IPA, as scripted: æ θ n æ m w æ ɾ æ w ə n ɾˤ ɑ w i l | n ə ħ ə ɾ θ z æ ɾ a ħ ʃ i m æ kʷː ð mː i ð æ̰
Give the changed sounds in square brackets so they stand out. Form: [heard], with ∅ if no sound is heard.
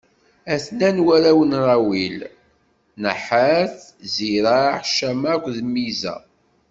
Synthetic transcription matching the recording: æ θ n æ [n] w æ ɾ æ w ə n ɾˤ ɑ w i l | n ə ħ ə ɾ θ z [i] ɾ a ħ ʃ [æ] m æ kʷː ð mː i [z] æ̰